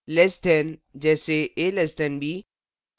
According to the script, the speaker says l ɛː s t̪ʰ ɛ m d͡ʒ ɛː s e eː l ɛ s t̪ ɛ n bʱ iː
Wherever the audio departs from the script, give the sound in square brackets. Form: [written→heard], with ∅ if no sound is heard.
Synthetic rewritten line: l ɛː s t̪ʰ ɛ [m→n] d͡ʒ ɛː s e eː l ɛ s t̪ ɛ n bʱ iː

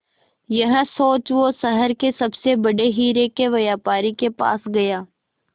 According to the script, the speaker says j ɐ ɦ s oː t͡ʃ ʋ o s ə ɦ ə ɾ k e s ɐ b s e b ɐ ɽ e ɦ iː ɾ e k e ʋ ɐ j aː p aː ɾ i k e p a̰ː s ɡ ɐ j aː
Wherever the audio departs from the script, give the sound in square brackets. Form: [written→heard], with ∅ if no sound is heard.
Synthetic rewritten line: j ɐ ɦ s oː t͡ʃ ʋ o s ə ɦ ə ɾ k e s ɐ b s e b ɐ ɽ e ɦ iː ɾ e k e ʋ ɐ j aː p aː ɾ i k e p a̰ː s ɡ ɐ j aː

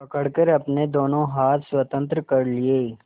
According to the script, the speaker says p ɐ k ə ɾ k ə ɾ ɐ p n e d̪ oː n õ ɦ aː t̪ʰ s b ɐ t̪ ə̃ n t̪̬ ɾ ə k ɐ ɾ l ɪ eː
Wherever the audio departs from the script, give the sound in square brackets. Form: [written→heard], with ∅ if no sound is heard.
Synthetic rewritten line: p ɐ k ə [ɾ→ɽ] k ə ɾ ɐ p n e d̪ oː n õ ɦ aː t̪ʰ s [b→w] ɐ t̪ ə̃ n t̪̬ ɾ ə k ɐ ɾ l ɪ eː

